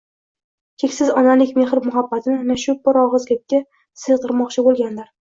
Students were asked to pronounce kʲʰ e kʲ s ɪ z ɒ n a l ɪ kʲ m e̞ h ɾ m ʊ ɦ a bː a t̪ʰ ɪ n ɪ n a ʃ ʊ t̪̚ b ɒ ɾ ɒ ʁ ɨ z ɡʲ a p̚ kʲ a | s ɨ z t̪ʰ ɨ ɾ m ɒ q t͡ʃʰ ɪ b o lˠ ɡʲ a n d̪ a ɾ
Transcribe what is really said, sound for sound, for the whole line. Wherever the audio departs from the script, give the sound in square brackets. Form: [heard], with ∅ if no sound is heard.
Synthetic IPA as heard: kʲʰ e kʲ s ɪ z ɒ n a l ɪ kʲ m e̞ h ɾ m ʊ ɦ a bː a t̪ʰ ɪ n ɪ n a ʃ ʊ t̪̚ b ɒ ɾ ɒ ʁ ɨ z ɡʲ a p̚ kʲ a | s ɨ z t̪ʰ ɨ ɾ m ɒ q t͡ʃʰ ɪ b o lˠ ɡʲ a n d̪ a ɾ

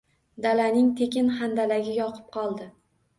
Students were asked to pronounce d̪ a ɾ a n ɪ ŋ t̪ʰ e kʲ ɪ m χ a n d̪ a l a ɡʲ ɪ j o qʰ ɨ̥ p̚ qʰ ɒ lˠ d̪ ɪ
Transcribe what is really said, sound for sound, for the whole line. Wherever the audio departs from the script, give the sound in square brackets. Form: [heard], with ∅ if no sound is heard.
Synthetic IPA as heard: d̪ a [l] a n ɪ ŋ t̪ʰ e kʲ ɪ [n] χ a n d̪ a l a ɡʲ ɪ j [ɒ] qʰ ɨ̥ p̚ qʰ ɒ lˠ d̪ ɪ

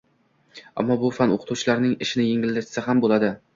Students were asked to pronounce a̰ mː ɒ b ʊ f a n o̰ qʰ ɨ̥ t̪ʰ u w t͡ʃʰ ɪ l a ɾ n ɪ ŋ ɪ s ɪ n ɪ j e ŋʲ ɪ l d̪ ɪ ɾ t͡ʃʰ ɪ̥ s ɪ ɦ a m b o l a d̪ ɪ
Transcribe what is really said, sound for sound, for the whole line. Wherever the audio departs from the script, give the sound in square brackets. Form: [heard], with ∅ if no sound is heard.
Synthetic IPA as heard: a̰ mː ɒ b ʊ f a n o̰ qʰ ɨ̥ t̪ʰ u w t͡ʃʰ ɪ l a ɾ n ɪ ŋ ɪ [ʃ] ɪ n ɪ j e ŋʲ ɪ l d̪ ɪ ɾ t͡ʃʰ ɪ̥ s ɪ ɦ a m b o l a d̪ ɪ

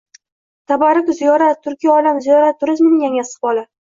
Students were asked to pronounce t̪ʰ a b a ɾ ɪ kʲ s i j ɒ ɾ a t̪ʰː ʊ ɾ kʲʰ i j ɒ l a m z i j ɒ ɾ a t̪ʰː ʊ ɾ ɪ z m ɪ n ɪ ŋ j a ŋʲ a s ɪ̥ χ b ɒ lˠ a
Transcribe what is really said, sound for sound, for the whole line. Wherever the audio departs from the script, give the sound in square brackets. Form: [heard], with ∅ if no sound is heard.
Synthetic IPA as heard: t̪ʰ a b a ɾ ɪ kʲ [z] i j ɒ ɾ a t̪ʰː ʊ ɾ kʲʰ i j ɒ l a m z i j ɒ ɾ a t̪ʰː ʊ ɾ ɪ z m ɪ n ɪ ŋ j a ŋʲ a s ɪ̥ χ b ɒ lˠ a

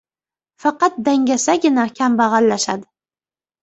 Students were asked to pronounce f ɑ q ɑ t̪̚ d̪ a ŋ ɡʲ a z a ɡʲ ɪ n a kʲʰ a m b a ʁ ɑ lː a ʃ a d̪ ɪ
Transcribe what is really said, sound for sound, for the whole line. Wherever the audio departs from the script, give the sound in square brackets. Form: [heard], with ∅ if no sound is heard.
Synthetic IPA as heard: f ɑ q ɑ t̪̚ d̪ a ŋ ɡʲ a [s] a ɡʲ ɪ n a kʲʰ a m b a ʁ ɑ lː a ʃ a d̪ ɪ

